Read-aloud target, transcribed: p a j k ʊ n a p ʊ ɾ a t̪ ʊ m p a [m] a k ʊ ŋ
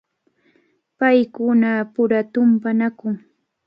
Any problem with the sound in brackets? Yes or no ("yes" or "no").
yes